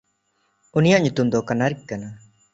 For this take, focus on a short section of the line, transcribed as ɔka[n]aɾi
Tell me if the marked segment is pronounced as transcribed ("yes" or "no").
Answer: yes